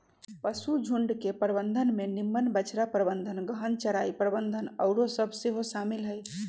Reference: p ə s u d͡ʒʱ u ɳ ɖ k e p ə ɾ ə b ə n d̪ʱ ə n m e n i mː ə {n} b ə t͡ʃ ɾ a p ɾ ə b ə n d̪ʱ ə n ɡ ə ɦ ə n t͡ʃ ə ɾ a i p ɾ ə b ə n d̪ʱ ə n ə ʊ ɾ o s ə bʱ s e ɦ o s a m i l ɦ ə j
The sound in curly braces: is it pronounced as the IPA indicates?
yes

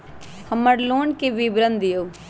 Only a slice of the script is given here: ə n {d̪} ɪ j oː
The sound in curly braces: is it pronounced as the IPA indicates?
yes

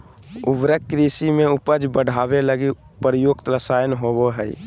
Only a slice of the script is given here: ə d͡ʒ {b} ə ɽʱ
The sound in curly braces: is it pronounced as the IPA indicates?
yes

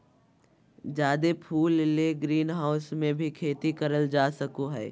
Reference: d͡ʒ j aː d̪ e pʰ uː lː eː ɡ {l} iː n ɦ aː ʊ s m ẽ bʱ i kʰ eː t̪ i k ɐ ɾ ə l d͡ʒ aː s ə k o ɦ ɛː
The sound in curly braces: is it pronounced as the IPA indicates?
no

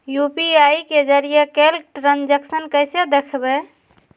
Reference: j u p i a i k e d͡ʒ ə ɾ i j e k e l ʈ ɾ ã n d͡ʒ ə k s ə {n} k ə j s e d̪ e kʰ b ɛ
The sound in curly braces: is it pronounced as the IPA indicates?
yes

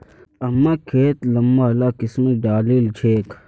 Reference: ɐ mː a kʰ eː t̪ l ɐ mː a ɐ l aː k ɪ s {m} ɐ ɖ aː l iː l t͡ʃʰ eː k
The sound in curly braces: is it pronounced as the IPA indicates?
yes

